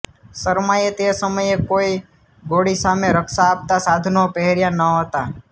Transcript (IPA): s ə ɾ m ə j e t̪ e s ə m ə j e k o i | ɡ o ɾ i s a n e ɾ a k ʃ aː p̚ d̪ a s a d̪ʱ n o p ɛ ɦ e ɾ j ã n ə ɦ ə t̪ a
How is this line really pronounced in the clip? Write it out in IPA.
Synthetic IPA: s ə ɾ m a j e t̪ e s ə m ə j e k o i | ɡ o ɽ i s a m e ɾ ə k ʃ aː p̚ t̪ a s a d̪ʱ n o p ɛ ɦ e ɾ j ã n ə ɦ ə t̪ a